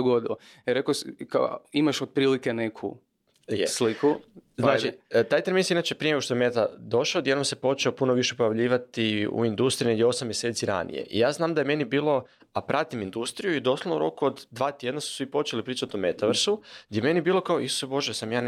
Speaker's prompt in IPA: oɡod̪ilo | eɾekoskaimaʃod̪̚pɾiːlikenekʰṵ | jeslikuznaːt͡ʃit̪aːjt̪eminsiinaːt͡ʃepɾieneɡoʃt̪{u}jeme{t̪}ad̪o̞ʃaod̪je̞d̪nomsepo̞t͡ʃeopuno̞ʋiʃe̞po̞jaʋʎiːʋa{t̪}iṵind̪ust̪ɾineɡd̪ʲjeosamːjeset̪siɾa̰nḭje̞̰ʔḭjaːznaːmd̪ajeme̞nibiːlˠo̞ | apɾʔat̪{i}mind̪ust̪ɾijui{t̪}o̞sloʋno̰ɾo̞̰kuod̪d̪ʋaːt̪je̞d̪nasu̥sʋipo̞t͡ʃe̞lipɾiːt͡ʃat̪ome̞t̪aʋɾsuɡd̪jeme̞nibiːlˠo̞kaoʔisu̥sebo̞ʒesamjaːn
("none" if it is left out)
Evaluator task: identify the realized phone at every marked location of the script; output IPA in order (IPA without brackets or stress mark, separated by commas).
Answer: o, t̪, t̪, i, d̪